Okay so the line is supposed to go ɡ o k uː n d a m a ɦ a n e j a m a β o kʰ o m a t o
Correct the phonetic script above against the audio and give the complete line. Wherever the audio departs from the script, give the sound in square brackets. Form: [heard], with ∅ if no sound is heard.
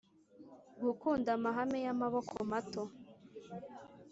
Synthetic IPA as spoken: ɡ [u] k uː n d a m a ɦ a [m] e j a m a β o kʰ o m a t o